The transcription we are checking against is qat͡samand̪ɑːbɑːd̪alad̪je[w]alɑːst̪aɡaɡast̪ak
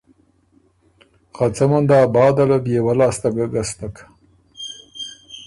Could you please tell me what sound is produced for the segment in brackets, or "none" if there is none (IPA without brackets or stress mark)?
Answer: w